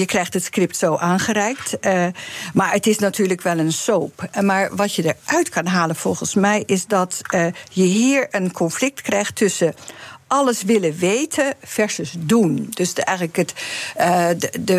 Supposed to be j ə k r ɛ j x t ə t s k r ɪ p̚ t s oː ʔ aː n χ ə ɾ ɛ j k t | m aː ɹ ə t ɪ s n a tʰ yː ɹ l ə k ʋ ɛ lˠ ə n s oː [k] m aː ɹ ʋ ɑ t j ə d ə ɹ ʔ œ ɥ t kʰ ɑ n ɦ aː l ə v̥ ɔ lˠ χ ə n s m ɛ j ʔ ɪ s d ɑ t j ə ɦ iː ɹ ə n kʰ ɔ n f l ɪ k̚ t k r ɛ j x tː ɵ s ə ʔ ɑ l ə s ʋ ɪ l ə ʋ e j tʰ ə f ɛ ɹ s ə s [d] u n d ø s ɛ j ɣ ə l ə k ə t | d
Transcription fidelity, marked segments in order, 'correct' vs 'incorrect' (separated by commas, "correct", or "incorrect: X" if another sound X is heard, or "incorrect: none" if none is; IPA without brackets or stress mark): incorrect: p, correct